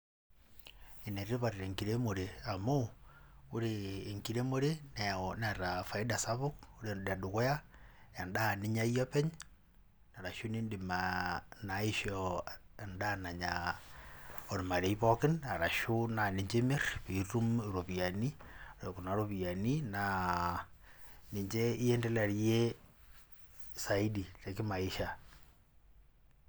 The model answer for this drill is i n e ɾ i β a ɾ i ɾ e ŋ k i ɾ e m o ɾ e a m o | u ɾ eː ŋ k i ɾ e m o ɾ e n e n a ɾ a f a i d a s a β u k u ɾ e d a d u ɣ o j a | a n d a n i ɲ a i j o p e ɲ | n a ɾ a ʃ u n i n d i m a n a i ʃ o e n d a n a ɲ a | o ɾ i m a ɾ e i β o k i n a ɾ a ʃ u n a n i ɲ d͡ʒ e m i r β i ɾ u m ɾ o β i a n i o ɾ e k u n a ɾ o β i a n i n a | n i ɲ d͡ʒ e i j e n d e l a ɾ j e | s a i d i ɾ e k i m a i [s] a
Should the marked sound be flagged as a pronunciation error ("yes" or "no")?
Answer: yes